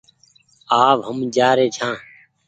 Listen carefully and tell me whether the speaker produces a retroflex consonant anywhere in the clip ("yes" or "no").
no